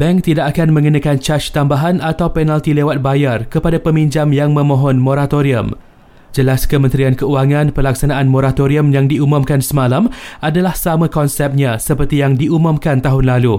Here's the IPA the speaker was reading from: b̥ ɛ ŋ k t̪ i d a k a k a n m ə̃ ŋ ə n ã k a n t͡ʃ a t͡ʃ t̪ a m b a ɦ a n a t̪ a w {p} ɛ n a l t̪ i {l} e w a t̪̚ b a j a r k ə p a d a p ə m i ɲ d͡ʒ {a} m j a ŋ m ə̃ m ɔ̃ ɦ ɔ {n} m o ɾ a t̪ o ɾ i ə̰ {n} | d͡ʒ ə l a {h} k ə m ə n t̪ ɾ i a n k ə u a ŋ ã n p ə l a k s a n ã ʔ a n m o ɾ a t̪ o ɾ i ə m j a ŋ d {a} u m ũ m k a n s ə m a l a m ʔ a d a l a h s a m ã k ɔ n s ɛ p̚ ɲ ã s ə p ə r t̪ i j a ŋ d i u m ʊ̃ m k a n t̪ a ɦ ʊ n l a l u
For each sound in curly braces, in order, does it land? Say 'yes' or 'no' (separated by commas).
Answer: yes, yes, yes, yes, no, no, no